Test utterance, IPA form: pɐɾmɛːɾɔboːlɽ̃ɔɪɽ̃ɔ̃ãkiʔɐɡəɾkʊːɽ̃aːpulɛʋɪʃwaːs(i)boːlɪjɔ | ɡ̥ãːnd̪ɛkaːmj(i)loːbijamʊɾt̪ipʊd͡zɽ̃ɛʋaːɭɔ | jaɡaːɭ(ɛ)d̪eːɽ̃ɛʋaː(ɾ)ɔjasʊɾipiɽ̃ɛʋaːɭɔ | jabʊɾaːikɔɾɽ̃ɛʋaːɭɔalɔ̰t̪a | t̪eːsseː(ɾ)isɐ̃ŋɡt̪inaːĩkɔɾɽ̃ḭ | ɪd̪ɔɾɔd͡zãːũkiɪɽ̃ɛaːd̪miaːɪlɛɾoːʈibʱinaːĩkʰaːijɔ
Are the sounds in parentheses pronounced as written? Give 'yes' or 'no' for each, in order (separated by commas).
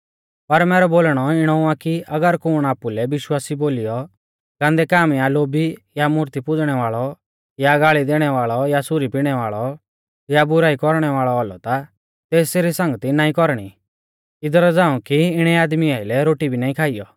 yes, no, no, no, yes